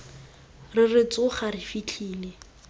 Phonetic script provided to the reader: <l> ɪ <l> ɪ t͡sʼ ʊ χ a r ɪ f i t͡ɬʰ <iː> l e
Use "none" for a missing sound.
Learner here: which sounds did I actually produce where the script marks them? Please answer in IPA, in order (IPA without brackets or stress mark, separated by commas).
r, r, iː